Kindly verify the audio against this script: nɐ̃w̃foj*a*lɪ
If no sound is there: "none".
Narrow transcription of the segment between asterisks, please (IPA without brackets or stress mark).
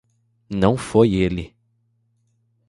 e